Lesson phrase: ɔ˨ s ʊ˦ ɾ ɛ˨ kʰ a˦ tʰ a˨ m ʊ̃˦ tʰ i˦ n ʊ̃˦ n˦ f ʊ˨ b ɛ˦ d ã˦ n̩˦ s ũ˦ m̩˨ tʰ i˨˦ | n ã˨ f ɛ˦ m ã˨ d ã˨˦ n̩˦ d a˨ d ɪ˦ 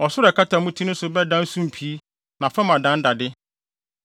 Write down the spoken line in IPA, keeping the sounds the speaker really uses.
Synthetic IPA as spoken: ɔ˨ s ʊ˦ ɾ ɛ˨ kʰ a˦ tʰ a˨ m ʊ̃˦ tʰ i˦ n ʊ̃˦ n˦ s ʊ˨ b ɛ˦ d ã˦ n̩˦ s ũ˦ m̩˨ pʰ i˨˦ | n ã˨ f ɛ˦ m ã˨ d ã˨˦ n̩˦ d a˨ d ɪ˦